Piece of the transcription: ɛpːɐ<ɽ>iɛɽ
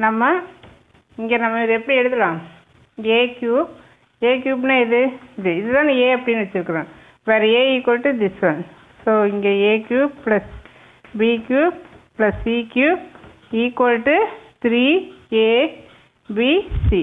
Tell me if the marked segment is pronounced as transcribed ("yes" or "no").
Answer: yes